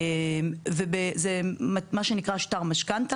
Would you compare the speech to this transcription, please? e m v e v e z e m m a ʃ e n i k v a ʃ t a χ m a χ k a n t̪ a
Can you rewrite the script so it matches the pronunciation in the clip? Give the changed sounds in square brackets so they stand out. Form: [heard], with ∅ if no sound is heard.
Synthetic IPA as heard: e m v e [b] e z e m m a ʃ e n i k [ʁ] a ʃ t a [ʁ] m a [ʃ] k a n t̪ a